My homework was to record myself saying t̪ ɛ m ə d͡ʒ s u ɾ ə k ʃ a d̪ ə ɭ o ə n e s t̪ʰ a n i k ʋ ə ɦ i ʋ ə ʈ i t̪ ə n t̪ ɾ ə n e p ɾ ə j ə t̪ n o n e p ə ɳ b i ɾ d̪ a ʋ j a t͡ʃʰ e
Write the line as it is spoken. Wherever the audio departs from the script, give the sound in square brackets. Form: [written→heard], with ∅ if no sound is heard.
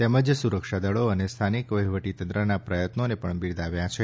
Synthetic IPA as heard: t̪ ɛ m ə d͡ʒ s u ɾ ə k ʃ a d̪ ə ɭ o ə n e s t̪ʰ a n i k ʋ ə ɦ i ʋ ə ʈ i t̪ ə n t̪ ɾ ə n [e→a] p ɾ ə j ə t̪ n o n e p ə ɳ b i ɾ d̪ a ʋ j a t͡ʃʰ e